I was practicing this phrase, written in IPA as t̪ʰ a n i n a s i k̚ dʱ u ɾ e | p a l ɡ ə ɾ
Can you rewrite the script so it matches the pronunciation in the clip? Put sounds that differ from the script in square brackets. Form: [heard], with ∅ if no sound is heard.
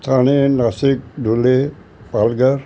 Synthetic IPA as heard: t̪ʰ a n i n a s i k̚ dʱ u [l] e | p a l ɡ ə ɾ